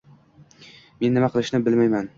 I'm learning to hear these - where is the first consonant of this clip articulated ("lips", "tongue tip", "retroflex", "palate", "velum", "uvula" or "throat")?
lips